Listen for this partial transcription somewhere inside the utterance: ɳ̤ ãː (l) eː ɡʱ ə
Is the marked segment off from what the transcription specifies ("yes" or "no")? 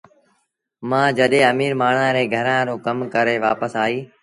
yes